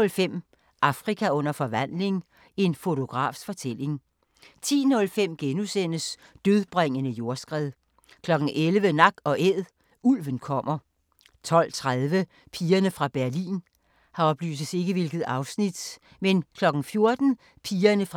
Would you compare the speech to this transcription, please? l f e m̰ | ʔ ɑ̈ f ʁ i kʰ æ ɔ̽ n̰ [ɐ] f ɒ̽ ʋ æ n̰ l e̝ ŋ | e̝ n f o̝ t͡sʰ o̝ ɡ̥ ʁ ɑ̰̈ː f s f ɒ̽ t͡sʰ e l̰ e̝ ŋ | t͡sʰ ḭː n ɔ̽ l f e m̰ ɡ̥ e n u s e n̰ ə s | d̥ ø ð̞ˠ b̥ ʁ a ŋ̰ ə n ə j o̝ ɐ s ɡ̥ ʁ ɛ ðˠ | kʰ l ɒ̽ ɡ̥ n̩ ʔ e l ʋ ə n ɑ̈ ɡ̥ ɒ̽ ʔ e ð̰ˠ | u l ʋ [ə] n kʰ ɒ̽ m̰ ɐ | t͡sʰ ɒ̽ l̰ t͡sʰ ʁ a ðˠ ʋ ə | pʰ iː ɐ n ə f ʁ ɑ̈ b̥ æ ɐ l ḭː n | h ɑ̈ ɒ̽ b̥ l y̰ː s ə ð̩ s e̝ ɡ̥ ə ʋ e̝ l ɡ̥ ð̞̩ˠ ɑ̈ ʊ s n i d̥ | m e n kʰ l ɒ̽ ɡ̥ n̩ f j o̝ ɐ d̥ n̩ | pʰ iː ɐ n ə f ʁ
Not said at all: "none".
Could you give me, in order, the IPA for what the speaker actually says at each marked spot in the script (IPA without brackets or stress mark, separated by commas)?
ɐ, ə